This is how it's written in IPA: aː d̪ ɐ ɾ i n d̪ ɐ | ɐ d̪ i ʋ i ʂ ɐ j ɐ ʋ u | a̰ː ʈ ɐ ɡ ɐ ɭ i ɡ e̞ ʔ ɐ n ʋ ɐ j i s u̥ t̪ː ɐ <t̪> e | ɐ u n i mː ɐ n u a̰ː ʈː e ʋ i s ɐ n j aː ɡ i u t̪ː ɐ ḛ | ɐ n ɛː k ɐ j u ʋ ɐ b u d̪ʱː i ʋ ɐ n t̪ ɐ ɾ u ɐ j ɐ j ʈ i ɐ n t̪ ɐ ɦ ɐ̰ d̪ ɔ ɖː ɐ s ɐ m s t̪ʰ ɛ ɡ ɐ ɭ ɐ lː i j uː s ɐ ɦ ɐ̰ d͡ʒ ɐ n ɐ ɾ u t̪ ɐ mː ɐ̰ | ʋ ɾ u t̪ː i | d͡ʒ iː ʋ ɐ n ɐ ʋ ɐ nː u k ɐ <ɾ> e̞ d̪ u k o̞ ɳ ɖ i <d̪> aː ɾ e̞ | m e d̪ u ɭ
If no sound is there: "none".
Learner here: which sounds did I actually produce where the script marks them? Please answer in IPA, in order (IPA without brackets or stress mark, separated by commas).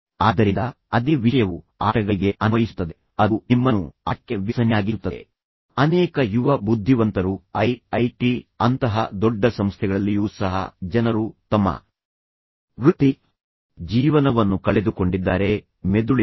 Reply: d̪, ɭ, d̪ː